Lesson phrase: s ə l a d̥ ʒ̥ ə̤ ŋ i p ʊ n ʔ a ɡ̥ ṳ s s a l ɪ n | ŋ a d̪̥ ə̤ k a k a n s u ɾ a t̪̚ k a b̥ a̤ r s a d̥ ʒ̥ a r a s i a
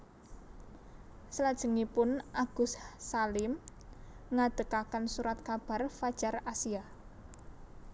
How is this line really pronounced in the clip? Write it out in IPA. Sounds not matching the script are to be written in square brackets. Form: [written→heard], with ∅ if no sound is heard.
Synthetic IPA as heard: s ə l a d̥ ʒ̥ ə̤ ŋ i p ʊ n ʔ a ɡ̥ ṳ s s a l ɪ [n→m] | ŋ a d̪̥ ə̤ k a k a n s u ɾ a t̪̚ k a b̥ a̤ r [s→f] a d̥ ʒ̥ a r a s i a